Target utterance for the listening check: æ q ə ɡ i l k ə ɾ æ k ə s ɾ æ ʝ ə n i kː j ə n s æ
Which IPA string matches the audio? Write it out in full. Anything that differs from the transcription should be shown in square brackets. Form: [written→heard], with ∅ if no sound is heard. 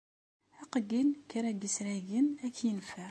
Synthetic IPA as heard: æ q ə ɡ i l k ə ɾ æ [k→ɡ] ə s ɾ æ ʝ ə n [i→æ] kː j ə n [s→f] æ